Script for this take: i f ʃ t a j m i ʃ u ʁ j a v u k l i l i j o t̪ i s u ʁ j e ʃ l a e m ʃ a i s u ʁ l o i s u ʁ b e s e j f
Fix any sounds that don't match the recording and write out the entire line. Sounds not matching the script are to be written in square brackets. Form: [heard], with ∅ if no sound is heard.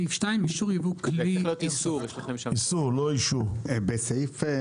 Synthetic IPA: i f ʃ t a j m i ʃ u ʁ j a v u k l i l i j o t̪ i s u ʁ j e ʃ l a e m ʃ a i s u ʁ l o i [ʃ] u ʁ b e s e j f